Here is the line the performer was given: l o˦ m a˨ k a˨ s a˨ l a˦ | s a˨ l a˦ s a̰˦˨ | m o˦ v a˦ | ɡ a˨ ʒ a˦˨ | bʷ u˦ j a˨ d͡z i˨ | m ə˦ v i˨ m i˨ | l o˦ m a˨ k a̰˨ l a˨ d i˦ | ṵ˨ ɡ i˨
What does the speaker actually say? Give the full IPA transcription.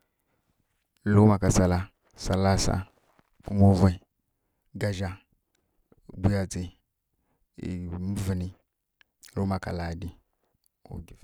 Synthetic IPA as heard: l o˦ m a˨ k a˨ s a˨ l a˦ | s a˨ l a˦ s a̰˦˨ | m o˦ v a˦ | ɡ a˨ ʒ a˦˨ | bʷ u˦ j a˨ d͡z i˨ | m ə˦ v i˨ n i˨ | l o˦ m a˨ k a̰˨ l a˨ d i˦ | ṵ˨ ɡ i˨

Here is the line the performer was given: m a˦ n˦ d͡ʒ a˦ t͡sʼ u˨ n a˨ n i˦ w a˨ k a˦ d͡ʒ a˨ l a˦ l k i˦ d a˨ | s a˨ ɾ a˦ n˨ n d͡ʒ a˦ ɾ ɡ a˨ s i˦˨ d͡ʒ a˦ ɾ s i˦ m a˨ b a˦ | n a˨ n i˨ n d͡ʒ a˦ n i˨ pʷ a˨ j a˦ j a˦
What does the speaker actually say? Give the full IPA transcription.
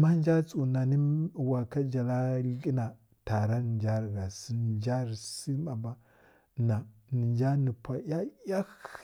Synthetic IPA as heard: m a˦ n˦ d͡ʒ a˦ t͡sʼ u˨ n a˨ n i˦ w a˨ k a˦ d͡ʒ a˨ l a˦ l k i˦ n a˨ | t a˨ ɾ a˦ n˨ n d͡ʒ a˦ ɾ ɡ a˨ s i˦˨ d͡ʒ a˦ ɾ s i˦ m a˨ b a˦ | n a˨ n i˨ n d͡ʒ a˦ n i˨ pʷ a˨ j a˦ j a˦

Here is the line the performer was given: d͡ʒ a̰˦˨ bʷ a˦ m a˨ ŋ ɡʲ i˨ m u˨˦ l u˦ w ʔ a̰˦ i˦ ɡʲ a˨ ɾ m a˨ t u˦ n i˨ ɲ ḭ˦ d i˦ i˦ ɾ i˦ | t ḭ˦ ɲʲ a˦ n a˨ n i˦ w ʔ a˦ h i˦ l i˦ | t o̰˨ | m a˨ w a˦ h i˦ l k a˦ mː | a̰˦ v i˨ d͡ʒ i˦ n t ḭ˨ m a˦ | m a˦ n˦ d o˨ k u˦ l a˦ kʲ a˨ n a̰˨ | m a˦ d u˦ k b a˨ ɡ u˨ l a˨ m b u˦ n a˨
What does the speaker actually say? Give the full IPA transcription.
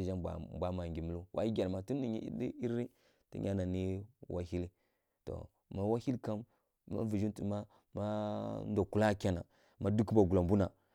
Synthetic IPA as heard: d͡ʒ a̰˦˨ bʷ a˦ m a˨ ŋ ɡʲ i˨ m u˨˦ l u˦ w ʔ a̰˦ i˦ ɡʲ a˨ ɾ m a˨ t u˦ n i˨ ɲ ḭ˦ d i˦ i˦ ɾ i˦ | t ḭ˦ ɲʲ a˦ n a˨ n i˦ w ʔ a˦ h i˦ l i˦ | t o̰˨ | m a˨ w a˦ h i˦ l k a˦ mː | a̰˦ v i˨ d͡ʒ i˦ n t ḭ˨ m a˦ | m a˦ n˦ d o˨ k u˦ l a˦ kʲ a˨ n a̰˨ | m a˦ d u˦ k b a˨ ɡ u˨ l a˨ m b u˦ n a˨

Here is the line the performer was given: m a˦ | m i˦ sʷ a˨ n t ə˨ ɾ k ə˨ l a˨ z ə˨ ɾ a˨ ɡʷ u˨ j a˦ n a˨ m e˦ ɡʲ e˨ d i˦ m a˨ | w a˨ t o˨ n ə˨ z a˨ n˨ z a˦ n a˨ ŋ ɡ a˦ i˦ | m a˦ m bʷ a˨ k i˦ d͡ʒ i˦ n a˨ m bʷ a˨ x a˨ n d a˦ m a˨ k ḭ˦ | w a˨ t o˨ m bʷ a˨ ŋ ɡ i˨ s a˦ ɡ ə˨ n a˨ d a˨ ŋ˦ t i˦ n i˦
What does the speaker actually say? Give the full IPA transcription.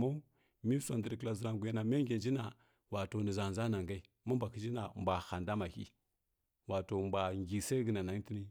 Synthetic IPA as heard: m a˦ | m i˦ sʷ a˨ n d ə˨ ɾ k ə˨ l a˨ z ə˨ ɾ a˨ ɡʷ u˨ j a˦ n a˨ m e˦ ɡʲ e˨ d͡ʒ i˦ n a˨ | w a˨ t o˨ n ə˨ z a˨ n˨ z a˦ n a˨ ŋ ɡ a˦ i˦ | m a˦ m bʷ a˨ k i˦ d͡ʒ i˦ n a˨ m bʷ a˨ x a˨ n d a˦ m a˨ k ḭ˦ | w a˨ t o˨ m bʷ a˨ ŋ ɡ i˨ s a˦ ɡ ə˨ n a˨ n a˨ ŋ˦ t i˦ n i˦

